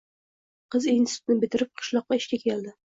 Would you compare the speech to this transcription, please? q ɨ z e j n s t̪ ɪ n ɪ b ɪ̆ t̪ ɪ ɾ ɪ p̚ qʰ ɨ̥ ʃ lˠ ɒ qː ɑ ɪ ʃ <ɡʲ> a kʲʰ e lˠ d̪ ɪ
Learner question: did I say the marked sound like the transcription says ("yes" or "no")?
no